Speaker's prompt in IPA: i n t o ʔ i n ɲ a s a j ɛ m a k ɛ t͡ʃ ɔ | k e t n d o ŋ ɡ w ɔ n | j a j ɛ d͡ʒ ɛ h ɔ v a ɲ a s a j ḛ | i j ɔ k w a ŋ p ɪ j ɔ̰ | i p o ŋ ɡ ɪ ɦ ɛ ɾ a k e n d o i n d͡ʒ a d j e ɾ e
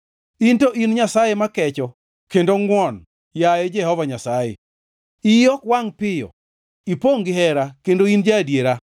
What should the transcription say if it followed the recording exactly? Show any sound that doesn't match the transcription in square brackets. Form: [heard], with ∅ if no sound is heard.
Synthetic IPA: i n t o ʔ i n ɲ a s a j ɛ m a k ɛ t͡ʃ ɔ | k e [∅] n d o ŋ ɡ w ɔ n | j a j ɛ d͡ʒ ɛ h ɔ v a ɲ a s a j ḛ | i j ɔ k w a ŋ p ɪ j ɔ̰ | i p o ŋ ɡ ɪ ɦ ɛ ɾ a k e n d o i n d͡ʒ a d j e ɾ [a]

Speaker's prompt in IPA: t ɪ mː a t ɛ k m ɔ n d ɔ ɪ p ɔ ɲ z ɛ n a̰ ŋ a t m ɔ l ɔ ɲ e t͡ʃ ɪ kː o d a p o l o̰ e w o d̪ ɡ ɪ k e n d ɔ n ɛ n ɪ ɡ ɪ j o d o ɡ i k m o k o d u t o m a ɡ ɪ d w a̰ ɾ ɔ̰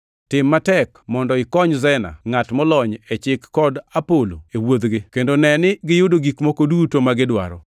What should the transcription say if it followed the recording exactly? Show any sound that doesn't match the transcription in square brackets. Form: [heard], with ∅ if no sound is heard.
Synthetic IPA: t ɪ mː a t ɛ k m ɔ n d ɔ ɪ [k] ɔ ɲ z ɛ n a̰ ŋ a t m ɔ l ɔ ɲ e t͡ʃ ɪ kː [ɔ] d a p o l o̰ e w o d̪ ɡ ɪ k e n d [o] n ɛ n ɪ ɡ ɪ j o d o ɡ i k m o k o d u t o m a ɡ ɪ d w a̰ ɾ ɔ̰

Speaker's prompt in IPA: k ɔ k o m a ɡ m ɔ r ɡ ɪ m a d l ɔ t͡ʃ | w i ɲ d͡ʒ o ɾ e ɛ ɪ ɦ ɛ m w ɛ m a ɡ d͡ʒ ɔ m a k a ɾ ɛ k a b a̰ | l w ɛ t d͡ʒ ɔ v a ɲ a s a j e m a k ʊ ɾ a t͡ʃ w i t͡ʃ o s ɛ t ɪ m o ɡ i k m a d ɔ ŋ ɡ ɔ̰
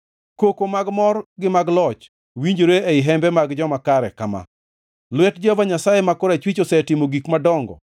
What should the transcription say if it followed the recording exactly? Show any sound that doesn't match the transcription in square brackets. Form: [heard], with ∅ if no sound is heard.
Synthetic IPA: k [o] k o m a ɡ m ɔ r ɡ ɪ m a [ɡ] l ɔ t͡ʃ | w i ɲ d͡ʒ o ɾ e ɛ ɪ ɦ ɛ m [b] ɛ m a ɡ d͡ʒ ɔ m a k a ɾ ɛ k a [m] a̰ | l w ɛ t d͡ʒ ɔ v a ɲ a s a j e m a k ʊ ɾ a t͡ʃ w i t͡ʃ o s ɛ t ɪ m o ɡ i k m a d ɔ ŋ ɡ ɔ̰

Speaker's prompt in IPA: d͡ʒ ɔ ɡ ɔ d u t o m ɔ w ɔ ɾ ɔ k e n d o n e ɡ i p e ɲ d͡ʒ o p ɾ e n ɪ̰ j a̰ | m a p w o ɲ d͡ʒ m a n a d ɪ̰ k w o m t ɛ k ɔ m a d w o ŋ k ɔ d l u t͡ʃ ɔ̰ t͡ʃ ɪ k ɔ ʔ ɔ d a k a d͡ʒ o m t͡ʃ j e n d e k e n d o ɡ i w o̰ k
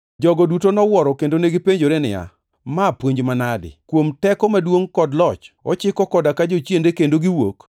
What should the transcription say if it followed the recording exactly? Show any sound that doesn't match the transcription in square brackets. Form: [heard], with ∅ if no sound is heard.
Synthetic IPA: d͡ʒ ɔ ɡ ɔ d u t o [n] ɔ w ɔ ɾ ɔ k e n d o n e ɡ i p e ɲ d͡ʒ o [∅] ɾ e n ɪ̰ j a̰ | m a p w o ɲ d͡ʒ m a n a d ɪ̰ k w o m t ɛ k ɔ m a d w o ŋ k ɔ d l [ɔ] t͡ʃ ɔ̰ t͡ʃ ɪ k ɔ [k] ɔ d a k a d͡ʒ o [∅] t͡ʃ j e n d e k e n d o ɡ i w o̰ k

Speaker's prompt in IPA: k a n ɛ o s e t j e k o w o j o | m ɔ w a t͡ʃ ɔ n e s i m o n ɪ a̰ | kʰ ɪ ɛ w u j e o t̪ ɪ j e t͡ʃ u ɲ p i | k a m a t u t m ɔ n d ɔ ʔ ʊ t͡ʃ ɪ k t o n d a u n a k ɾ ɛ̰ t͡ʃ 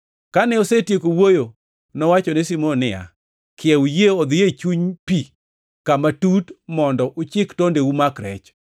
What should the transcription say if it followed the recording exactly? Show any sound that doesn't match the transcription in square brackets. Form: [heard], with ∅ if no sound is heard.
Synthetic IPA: k a n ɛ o s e t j e k o w o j o | [n] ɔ w a t͡ʃ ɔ n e s i m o n ɪ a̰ | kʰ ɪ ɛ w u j e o [d̪] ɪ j e t͡ʃ u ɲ p i | k a m a t u t m ɔ n d ɔ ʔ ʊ t͡ʃ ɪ k t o n d [e] u [m] a k ɾ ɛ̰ t͡ʃ

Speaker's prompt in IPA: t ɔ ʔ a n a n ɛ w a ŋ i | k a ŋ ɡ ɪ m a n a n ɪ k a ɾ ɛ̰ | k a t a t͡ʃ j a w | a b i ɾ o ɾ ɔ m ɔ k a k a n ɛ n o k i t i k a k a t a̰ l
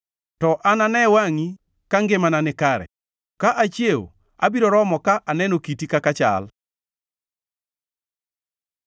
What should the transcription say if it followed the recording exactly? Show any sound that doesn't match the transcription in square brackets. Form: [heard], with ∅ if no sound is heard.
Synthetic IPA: t ɔ ʔ a n a n ɛ w a ŋ i | k a ŋ ɡ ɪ m a n a n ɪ k a ɾ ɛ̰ | k a [ʔ] a t͡ʃ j [e] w | a b i ɾ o ɾ ɔ m ɔ k a [ʔ] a n ɛ n o k i t i k a k a [t͡ʃ] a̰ l

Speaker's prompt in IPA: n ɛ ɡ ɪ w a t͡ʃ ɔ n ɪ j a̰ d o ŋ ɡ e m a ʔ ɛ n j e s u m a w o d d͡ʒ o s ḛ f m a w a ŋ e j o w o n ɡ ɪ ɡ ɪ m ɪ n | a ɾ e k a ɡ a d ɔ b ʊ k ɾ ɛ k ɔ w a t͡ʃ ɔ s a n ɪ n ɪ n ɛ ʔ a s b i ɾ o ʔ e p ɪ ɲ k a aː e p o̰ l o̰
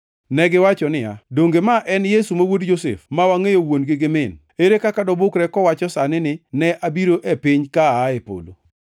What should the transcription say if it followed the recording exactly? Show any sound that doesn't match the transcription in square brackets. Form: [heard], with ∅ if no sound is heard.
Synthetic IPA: n ɛ ɡ ɪ w a t͡ʃ ɔ n ɪ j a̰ d o ŋ ɡ e m a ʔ ɛ n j e s u m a w o d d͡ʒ o s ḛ f m a w a ŋ e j o w o n ɡ ɪ ɡ ɪ m ɪ n | [e] ɾ e k a [k] a d ɔ b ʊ k ɾ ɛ k ɔ w a t͡ʃ ɔ s a n ɪ n ɪ n ɛ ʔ a [∅] b i ɾ o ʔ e p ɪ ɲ k a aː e p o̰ l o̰

